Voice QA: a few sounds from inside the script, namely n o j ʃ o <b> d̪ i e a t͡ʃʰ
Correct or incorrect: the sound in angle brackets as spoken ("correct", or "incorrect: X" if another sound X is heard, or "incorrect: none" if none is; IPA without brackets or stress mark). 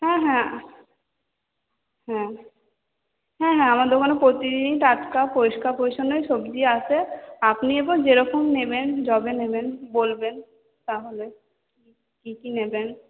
correct